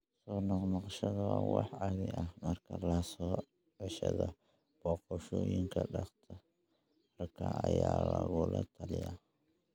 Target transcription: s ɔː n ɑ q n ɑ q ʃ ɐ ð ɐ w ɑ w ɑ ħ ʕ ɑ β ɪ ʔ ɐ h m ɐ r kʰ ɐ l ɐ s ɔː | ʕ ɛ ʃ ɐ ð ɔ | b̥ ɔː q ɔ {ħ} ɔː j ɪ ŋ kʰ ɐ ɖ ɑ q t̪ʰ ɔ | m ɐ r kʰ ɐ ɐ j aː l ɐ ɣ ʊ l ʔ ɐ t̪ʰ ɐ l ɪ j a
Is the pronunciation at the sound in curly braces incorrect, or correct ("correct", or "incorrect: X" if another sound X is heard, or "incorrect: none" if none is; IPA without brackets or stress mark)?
incorrect: ʃ